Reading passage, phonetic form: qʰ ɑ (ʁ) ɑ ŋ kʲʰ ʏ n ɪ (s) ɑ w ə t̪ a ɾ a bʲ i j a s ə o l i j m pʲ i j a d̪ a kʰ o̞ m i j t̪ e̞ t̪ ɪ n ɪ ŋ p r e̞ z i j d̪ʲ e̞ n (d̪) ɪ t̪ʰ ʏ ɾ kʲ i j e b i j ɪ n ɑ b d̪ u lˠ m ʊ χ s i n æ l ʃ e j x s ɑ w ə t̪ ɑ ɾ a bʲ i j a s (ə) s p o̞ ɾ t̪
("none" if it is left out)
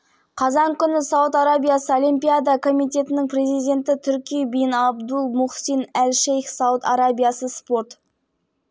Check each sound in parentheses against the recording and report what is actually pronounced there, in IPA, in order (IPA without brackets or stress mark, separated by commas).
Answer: z, s, t̪, ə